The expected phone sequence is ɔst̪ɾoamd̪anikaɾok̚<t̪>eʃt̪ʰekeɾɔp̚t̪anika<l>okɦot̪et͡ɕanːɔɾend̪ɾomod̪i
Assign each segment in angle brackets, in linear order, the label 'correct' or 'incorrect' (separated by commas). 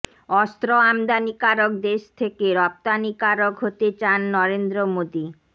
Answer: incorrect, incorrect